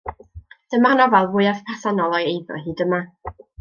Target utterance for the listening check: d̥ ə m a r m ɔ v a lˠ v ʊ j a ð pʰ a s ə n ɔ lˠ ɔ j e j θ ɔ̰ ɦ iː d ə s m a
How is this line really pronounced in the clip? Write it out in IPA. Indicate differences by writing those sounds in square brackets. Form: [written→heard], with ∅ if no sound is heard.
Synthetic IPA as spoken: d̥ ə m a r [m→n] ɔ v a lˠ v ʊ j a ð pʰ a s [ə→a] n ɔ lˠ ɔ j e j [θ→ð] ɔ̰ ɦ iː d ə [s→∅] m a